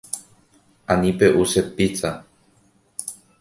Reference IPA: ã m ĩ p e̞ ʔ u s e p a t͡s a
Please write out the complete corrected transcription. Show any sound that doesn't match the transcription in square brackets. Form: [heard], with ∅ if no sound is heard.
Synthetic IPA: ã [n] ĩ p e̞ ʔ u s e p [i] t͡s a

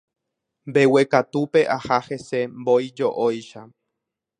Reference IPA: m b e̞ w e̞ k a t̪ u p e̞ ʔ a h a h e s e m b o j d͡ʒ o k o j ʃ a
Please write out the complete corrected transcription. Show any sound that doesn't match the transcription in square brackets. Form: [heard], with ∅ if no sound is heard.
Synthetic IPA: m b e̞ w e̞ k a t̪ u p e̞ ʔ a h a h e s e m b o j d͡ʒ o [ʔ] o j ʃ a

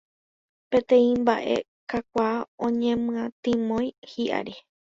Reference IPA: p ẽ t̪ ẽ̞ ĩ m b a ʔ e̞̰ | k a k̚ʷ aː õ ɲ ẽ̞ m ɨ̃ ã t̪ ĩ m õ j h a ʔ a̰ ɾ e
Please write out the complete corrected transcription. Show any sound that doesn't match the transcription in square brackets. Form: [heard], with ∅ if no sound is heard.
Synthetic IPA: p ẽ t̪ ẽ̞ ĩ m b a ʔ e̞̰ | k a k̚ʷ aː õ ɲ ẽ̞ m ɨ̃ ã t̪ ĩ m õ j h [i] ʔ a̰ ɾ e

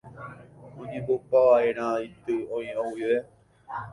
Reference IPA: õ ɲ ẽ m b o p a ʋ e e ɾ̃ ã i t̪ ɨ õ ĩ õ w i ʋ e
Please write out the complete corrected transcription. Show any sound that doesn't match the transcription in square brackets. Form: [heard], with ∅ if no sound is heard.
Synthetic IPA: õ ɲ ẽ m b o p a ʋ [a] e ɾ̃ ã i t̪ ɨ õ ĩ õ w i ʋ e

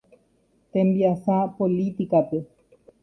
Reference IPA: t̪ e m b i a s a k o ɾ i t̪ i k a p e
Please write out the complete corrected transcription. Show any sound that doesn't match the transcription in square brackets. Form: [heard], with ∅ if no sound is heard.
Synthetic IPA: t̪ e m b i a s a [p] o [l] i t̪ i k a p e

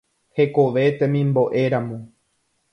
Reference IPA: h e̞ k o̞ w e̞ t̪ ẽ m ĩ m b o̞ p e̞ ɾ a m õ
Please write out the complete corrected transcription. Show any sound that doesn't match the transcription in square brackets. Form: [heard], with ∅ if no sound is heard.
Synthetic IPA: h e̞ k o̞ [ʋ] e̞ t̪ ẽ m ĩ m b o̞ [ʔ] e̞ ɾ a m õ

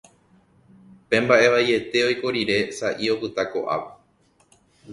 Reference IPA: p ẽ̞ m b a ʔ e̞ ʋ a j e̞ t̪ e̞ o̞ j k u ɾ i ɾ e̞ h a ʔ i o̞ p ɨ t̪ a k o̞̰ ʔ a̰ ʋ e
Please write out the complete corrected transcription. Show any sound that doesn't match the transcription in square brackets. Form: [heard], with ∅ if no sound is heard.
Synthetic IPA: p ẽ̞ m b a ʔ e̞ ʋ a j e̞ t̪ e̞ o̞ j k [o] ɾ i ɾ e̞ [s] a ʔ i o̞ p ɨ t̪ a k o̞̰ ʔ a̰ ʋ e

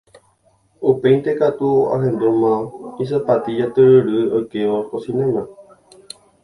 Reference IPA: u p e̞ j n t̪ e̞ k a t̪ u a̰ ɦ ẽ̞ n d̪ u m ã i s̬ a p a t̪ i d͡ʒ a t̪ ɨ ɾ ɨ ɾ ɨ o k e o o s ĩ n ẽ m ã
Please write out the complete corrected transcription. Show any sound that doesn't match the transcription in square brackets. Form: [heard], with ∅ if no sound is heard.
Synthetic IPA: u p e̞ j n t̪ e̞ k a t̪ u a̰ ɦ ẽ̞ n d̪ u m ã i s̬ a p a t̪ i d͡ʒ a t̪ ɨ ɾ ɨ ɾ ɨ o k e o o s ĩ n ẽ m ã

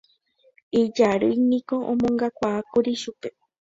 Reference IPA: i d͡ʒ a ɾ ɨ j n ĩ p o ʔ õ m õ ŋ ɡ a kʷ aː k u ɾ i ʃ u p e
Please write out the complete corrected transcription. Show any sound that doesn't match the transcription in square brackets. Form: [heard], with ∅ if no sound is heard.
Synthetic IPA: i d͡ʒ a ɾ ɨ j n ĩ [k] o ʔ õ m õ ŋ ɡ a kʷ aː k u ɾ i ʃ u p e

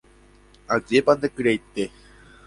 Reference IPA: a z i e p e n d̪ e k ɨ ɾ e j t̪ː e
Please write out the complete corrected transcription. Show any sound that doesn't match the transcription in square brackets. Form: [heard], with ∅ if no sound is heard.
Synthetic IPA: a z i e p [a] n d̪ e k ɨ ɾ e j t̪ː e

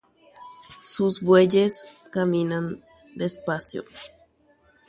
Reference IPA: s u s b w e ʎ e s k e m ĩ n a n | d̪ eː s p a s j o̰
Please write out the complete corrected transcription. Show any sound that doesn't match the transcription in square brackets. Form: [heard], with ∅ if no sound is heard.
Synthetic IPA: s u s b w e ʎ e s k [a] m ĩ n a n | d̪ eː s p a s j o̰

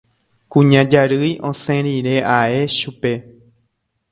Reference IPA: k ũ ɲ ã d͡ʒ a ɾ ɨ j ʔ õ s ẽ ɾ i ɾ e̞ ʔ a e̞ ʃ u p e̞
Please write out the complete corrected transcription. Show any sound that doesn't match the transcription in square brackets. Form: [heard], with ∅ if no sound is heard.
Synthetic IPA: k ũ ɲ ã d͡ʒ a ɾ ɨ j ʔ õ s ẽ ɾ i ɾ e̞ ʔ a e̞ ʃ u p e̞

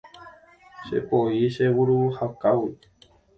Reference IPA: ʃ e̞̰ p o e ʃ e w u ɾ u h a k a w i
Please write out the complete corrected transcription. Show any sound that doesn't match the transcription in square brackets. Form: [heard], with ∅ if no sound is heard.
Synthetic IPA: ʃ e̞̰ p o [i] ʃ e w u ɾ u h a k a w i

